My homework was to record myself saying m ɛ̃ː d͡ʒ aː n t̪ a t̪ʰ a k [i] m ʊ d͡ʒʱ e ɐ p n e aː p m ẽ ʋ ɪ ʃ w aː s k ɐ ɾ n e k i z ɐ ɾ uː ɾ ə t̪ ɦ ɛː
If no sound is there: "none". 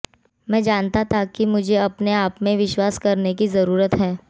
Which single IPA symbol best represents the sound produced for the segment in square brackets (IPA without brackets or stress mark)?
i